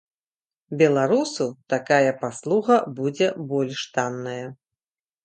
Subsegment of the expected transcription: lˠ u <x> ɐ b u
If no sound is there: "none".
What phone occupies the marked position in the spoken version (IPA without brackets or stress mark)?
ɣ